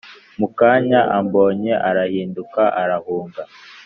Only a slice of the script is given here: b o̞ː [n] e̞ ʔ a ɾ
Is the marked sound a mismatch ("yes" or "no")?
yes